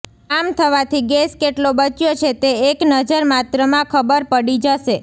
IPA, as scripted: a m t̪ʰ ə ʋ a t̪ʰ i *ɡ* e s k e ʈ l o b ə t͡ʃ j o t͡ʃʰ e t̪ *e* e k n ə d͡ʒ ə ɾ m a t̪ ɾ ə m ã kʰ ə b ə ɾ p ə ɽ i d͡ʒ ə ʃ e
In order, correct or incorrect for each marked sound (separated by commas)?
correct, correct